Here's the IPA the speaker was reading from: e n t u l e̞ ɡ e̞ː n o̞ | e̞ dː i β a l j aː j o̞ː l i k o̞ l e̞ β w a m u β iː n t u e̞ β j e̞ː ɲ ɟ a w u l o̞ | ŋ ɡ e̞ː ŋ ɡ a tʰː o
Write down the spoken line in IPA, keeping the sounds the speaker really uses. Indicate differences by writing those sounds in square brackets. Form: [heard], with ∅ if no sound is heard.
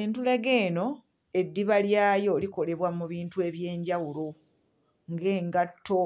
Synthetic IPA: e n t u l e̞ ɡ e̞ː n o̞ | e̞ dː i β a l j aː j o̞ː l i k o̞ l e̞ β w a m u β iː n t u e̞ β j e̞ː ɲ ɟ a w u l o̞ | ŋ ɡ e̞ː ŋ ɡ a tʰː o